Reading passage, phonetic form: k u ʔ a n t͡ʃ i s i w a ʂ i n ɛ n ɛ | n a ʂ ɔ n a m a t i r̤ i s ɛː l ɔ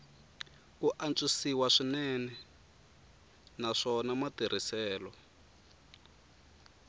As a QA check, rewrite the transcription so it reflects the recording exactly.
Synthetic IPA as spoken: k u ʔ a n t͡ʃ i s i w a ʂ i n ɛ n ɛ | n a ʂ ɔ n a m a t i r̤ i s ɛː l ɔ